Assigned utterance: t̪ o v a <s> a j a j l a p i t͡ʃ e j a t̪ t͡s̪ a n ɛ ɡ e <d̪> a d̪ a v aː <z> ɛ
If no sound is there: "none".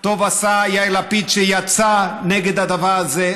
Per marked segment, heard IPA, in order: s, d̪, z

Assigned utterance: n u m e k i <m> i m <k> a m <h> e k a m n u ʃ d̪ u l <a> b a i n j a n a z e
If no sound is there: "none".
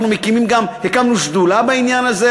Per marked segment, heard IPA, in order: m, ɡ, h, a

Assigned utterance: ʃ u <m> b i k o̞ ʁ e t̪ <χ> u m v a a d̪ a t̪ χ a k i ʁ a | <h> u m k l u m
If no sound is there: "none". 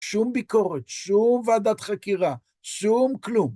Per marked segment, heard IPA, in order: m, ʃ, ʃ

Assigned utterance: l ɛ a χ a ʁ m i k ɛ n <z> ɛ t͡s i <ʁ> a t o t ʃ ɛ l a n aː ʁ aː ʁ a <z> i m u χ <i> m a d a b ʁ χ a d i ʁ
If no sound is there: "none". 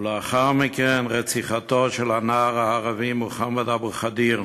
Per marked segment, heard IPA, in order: ʁ, χ, v, a

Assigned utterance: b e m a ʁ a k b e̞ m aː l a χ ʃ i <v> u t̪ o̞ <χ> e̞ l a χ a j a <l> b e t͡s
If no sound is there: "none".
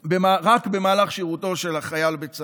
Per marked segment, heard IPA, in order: ʁ, ʃ, l

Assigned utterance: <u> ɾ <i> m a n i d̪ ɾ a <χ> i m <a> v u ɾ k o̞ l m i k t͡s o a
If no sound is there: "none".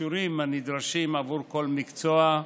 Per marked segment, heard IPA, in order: u, i, ʃ, a

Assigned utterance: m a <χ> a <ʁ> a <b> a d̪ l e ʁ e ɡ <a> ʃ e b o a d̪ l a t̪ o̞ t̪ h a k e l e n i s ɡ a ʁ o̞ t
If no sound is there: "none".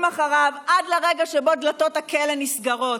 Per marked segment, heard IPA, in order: χ, ʁ, v, a

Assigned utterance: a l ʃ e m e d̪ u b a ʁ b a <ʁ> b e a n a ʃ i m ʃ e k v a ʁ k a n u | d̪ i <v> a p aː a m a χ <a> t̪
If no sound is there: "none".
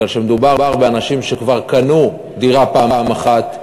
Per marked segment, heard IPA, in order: ʁ, ʁ, a

